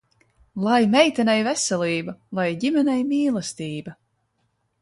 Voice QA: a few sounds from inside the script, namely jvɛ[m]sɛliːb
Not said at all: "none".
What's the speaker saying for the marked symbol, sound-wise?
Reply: none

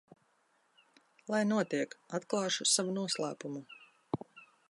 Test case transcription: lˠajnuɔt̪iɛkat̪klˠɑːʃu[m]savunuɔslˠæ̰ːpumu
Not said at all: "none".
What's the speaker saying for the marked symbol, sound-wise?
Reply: none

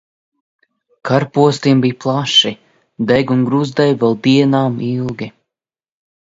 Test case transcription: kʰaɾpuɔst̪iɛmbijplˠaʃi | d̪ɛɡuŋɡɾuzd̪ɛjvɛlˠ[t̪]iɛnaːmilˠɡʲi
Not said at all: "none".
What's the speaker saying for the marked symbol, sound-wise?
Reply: d̪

